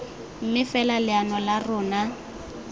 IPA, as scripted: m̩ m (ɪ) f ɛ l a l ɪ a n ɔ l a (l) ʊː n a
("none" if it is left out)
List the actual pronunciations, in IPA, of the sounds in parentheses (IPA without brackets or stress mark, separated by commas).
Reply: ɪ, r